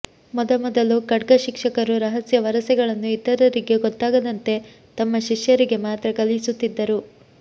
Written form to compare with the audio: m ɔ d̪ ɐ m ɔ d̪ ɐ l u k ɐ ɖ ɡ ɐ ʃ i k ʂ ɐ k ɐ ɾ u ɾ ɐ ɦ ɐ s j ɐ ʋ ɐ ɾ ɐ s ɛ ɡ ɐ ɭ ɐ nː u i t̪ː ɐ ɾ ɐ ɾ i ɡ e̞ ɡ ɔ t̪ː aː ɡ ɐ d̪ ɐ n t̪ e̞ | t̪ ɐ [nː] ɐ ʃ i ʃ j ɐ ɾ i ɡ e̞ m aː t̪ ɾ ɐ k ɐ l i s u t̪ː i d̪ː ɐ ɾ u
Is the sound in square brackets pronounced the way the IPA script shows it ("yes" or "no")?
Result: no